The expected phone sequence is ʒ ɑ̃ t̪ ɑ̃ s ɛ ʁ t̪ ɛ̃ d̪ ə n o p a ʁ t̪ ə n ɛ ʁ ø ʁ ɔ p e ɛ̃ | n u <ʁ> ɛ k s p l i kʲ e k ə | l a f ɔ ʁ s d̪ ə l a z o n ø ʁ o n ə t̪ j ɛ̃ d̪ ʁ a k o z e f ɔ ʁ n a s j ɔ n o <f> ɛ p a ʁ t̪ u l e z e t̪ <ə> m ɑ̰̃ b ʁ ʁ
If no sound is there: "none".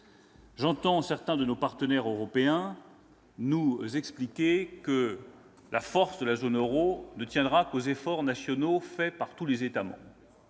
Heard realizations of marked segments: z, f, a

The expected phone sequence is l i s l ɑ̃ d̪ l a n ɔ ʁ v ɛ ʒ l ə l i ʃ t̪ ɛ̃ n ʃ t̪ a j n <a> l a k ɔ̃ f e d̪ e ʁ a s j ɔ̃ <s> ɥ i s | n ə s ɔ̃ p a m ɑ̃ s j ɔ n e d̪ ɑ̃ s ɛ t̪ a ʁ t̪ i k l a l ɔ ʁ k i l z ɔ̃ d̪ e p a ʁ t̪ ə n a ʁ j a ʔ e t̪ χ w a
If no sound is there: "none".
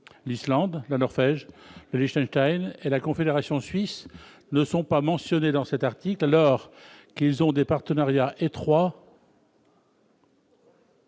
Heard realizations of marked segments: e, s

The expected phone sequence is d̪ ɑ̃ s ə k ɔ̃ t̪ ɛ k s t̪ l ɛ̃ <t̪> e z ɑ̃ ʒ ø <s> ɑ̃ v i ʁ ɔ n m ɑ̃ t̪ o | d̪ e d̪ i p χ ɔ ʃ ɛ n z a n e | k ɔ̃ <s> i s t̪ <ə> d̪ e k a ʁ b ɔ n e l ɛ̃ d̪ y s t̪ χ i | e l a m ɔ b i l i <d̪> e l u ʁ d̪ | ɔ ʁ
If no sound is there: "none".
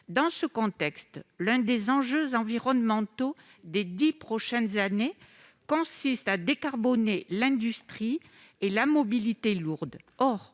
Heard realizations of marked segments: d̪, z, s, a, t̪

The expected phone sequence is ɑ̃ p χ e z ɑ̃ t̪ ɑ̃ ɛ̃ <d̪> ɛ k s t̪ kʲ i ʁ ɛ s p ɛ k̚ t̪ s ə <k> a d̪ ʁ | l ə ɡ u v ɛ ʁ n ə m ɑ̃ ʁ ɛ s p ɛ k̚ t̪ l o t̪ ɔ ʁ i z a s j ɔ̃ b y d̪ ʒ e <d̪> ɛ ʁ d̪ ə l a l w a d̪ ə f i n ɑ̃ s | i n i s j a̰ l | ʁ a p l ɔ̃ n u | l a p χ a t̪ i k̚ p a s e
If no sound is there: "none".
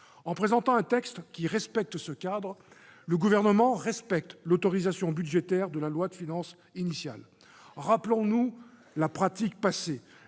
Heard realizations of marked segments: t̪, k, t̪

